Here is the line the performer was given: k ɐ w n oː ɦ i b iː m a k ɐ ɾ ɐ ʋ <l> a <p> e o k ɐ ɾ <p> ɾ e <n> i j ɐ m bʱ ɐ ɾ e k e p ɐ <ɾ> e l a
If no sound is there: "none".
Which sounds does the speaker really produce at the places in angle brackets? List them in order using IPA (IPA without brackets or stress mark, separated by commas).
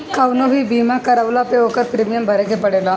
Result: l, p, p, m, ɽ